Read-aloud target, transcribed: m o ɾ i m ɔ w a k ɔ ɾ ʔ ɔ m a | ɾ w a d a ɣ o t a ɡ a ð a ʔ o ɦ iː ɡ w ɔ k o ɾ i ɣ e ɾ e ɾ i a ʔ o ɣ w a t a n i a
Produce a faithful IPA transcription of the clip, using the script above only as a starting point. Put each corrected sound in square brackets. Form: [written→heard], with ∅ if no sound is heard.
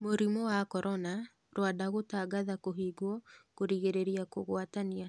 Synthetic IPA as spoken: m o ɾ i m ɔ w a k ɔ ɾ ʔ ɔ [m→n] a | ɾ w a d a ɣ o t a ɡ a ð a [ʔ→k] o ɦ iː ɡ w ɔ k o ɾ i ɣ e ɾ e ɾ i a [ʔ→k] o ɣ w a t a n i a

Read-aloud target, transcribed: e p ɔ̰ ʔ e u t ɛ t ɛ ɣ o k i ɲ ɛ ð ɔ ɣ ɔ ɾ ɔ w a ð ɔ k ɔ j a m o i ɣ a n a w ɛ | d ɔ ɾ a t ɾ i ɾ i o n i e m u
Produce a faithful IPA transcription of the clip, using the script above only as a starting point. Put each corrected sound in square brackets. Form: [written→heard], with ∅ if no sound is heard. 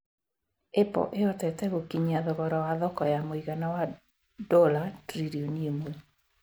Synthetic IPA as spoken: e p ɔ̰ ʔ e [u→ɔ] t ɛ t ɛ ɣ o k i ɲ [ɛ→a] ð ɔ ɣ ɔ ɾ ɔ w a ð ɔ k ɔ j a m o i ɣ a n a w [ɛ→a] | d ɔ [ɾ→l] a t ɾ i ɾ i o n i e m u

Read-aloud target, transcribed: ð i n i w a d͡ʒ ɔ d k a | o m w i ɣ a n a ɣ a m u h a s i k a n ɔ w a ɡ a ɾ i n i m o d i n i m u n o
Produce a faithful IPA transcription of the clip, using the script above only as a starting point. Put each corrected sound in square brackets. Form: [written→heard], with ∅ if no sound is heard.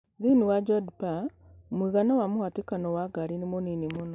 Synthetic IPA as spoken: ð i n i w a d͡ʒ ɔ d [k→p] a | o m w i ɣ a n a [ɣ→w] a m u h a [s→t] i k a n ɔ w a ɡ a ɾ i n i m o [d→n] i n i m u n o

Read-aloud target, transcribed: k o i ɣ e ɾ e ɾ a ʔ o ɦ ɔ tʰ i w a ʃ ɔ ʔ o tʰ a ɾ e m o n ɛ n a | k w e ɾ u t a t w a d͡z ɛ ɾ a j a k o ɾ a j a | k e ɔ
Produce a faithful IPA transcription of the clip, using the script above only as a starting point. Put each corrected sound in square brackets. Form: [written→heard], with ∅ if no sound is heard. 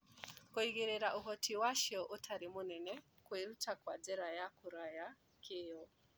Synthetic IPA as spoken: k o i ɣ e ɾ e ɾ a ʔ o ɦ ɔ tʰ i w a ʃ ɔ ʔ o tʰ a ɾ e m o n ɛ n [a→ɛ] | k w e ɾ u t a [t→k] w a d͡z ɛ ɾ a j a k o ɾ a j a | k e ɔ

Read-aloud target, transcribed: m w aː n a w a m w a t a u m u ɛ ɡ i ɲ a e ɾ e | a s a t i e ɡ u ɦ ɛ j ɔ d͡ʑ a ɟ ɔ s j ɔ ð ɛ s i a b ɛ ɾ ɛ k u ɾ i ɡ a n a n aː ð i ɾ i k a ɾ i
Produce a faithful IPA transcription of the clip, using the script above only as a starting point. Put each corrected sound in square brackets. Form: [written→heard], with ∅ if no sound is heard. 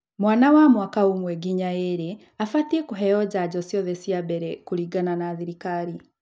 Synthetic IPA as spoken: m w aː n a w a m w a [t→k] a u m [u→w] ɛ ɡ i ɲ a e ɾ e | a [s→f] a t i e [ɡ→k] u ɦ ɛ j ɔ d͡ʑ a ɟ ɔ s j ɔ ð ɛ s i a b ɛ ɾ ɛ k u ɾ i ɡ a n a n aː ð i ɾ i k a ɾ i

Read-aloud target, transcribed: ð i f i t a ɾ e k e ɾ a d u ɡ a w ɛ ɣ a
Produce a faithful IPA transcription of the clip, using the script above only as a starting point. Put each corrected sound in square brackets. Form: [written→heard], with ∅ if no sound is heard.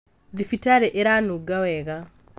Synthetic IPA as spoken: ð i f i t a ɾ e [k→ʔ] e ɾ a [d→n] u ɡ a w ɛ ɣ a

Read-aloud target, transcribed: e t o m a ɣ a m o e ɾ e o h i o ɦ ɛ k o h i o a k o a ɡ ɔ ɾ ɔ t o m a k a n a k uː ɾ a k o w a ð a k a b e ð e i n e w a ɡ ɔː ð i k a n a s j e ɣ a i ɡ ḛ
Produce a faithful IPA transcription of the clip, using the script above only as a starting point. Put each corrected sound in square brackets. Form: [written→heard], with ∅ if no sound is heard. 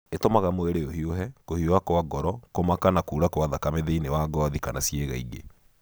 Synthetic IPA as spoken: e t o m a ɣ a m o e ɾ e o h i o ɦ ɛ k o h i o a k o a ɡ ɔ ɾ ɔ [t→k] o m a k a n a k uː ɾ a k o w a ð a k a [b→m] e ð e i n e w a ɡ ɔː ð i k a n a s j e ɣ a i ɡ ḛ

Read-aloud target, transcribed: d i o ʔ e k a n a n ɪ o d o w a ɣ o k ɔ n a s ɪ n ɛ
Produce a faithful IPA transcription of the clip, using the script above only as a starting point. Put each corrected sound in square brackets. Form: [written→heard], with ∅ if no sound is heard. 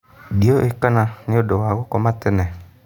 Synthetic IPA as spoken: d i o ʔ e k a n a n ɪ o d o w a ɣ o k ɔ [n→m] a [s→t] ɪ n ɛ

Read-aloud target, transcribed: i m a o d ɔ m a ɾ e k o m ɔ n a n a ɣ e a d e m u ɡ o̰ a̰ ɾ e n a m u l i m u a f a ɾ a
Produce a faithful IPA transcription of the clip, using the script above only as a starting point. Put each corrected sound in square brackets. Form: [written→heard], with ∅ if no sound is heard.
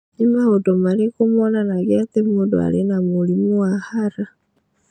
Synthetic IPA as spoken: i m a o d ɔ m a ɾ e k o m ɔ n a n a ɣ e a [d→t] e m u [ɡ→d] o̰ a̰ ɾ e n a m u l i m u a [f→h] a ɾ a

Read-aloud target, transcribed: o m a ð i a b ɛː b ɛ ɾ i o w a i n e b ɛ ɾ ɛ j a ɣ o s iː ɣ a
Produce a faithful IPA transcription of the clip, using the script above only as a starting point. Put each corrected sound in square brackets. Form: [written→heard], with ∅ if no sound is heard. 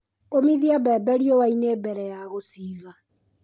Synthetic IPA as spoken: o m [a→i] ð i a b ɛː b ɛ ɾ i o w a i n e b ɛ ɾ ɛ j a ɣ o s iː ɣ a

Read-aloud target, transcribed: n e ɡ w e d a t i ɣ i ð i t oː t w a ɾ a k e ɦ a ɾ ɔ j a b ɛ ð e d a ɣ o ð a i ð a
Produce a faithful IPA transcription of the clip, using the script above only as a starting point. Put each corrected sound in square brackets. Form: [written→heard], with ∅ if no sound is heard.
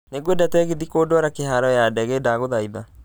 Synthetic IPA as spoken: n e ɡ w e d a t [i→ɛ] ɣ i ð i [t→k] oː [t→d] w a ɾ a k e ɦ a ɾ ɔ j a [b→d] ɛ [ð→ɣ] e d a ɣ o ð a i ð a

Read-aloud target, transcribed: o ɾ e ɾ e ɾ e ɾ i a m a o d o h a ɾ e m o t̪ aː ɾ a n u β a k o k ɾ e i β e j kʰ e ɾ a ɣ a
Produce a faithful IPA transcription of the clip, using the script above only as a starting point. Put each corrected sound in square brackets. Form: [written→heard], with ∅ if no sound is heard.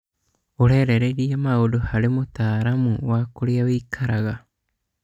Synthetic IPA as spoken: o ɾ e ɾ e ɾ e ɾ i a m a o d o h a ɾ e m o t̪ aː ɾ a [n→m] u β a k o [k→∅] ɾ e [i→a] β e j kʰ [e→a] ɾ a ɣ a

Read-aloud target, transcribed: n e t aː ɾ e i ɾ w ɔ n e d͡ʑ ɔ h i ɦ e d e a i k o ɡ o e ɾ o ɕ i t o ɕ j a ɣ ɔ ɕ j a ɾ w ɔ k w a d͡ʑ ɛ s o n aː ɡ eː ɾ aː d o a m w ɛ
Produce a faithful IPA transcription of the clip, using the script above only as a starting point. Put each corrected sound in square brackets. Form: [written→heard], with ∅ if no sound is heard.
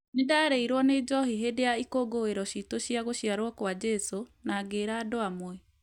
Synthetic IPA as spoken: n e [t→d] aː ɾ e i ɾ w ɔ n e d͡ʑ ɔ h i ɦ e d e a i k o ɡ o e ɾ [o→ɔ] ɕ i t o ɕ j a ɣ [ɔ→o] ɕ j a ɾ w ɔ k w a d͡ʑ ɛ s o n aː ɡ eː ɾ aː d o a m w ɛ

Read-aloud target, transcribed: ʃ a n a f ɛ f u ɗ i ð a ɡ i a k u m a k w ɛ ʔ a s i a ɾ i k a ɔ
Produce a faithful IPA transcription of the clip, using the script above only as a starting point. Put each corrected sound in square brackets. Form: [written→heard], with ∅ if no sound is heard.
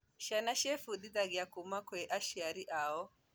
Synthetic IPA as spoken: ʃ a n a [f→ʃ] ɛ f u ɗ i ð a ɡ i a k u m a k w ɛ ʔ a [s→ʃ] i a ɾ i [k→ʔ] a ɔ

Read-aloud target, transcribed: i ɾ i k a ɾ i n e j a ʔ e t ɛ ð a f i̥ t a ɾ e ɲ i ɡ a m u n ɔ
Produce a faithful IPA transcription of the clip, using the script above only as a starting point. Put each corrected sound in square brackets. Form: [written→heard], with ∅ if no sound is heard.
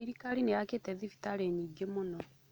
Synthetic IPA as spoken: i ɾ i k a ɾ i n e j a [ʔ→k] e t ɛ ð [a→i] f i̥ t a ɾ e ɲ i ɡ [a→e] m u n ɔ

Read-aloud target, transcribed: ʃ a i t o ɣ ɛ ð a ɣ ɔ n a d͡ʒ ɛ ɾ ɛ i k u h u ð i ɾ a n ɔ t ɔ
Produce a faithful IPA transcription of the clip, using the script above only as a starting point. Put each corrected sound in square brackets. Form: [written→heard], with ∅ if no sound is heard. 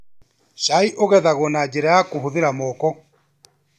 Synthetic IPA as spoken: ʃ a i [t→ʔ] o ɣ ɛ ð a ɣ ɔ n a d͡ʒ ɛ ɾ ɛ [i→a] k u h u ð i ɾ a [n→m] ɔ [t→k] ɔ

